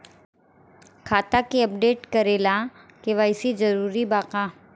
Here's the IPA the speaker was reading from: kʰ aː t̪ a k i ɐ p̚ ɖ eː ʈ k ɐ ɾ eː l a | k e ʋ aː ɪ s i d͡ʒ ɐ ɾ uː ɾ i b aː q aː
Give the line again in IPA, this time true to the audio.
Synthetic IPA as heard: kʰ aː t̪ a k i ɐ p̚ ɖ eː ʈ k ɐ ɾ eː l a | k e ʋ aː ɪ s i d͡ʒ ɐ ɾ uː ɾ i b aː q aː